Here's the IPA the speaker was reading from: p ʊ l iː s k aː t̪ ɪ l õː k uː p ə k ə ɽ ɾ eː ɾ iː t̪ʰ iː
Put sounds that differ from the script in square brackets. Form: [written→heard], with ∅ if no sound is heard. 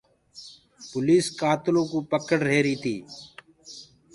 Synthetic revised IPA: p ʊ l iː s k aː t̪ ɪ l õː k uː p ə k ə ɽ ɾ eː ɾ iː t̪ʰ iː